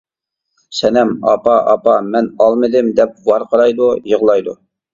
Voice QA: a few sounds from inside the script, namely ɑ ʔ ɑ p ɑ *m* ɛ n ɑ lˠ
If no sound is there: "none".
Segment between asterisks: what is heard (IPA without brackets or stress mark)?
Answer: m